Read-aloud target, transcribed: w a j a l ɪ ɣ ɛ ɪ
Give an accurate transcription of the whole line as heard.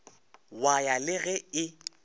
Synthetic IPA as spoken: w a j a l ɪ ɣ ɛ ɪ